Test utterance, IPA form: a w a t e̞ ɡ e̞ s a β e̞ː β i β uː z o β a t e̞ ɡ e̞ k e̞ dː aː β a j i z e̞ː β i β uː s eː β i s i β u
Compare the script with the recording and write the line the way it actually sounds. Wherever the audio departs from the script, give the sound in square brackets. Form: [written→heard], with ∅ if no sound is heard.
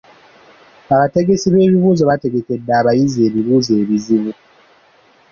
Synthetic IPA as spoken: a [w→β] a t e̞ ɡ e̞ s [a→i] β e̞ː β i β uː z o β a t e̞ ɡ e̞ k e̞ dː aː β a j i z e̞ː β i β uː [s→z] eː β i [s→z] i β u

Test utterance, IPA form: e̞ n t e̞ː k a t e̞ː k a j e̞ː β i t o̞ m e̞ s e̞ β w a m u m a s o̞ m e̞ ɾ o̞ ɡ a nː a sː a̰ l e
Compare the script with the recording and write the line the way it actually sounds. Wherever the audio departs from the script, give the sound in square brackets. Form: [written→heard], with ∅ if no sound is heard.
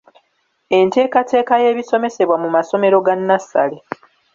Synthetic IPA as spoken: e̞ n t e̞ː k a t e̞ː k a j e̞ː β i [t→s] o̞ m e̞ s e̞ β w a m u m a s o̞ m e̞ ɾ o̞ ɡ a nː a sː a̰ l e

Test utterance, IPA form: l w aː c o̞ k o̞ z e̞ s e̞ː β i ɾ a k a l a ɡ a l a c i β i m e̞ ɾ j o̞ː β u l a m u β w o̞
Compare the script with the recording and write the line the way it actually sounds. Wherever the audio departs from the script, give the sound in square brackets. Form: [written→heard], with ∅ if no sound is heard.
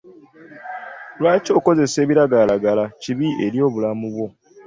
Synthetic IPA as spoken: l w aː c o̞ k o̞ z e̞ s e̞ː β i ɾ a [k→ɡ] a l a ɡ a l a c i β i [m→∅] e̞ ɾ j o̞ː β u l a m u β w o̞

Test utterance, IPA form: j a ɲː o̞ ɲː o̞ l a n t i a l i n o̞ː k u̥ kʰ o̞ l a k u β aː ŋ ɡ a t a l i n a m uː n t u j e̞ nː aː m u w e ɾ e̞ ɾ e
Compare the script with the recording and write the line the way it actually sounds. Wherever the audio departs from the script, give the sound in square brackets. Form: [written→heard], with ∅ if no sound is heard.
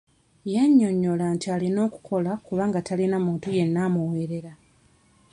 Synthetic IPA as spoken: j a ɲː o̞ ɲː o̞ l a n t i a l i n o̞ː k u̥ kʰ o̞ l a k u β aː ŋ ɡ a t a l i n a m uː n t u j e̞ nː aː m u w e ɾ e̞ ɾ [e→a]

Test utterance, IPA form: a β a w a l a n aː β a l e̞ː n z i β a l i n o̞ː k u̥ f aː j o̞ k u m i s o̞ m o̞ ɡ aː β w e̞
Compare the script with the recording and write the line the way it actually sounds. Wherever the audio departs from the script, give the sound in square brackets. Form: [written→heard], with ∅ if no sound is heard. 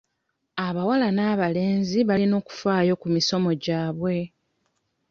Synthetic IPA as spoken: a β a w a l a n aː β a l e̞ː n z i β a l i n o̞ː k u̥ f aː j o̞ k u m i s o̞ m o̞ [ɡ→ɟ] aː β w e̞

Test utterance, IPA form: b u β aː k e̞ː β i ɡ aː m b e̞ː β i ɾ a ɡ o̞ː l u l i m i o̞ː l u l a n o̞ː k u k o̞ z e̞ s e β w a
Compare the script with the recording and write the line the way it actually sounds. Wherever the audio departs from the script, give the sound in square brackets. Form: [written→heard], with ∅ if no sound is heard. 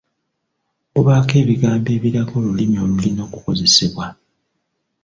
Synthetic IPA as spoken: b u β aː k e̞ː β i ɡ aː m b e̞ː β i ɾ a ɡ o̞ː l u l i m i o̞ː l u l [a→i] n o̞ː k u k o̞ z e̞ s e β w a

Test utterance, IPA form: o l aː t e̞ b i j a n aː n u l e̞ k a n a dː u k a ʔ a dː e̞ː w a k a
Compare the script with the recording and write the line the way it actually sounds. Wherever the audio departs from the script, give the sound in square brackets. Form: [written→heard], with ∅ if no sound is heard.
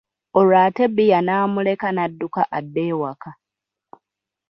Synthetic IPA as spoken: o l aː t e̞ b i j a n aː [n→m] u l e̞ k a n a dː u k a ʔ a dː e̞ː w a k a

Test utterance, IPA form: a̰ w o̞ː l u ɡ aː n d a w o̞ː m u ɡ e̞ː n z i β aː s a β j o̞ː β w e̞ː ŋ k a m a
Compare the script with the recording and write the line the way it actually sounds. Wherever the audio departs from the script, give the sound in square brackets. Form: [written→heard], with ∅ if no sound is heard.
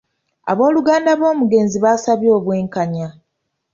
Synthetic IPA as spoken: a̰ [w→β] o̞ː l u ɡ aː n d a [w→β] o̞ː m u ɡ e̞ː n z i β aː s a β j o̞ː β w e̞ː ŋ k a [m→ɲ] a

